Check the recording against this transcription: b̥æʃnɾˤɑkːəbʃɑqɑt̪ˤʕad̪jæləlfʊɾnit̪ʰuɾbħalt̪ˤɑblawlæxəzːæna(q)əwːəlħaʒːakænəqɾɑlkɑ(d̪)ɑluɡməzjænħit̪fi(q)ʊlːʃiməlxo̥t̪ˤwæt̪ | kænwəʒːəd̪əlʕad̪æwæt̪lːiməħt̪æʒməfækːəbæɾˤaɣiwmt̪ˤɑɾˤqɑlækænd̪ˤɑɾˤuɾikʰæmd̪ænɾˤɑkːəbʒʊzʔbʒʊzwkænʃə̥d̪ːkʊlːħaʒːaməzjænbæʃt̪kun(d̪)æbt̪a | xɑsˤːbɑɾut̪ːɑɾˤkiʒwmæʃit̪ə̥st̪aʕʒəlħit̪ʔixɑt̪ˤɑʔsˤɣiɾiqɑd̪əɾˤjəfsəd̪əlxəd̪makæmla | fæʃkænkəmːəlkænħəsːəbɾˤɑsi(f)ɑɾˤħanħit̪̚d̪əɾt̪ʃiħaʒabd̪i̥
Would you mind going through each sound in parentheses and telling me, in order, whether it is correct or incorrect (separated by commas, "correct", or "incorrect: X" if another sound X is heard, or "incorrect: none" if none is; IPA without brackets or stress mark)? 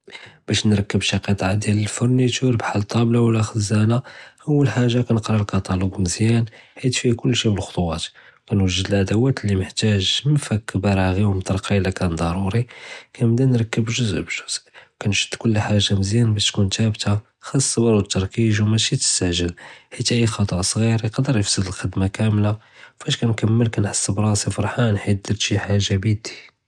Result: incorrect: ʔ, incorrect: t̪, incorrect: k, incorrect: t̪, correct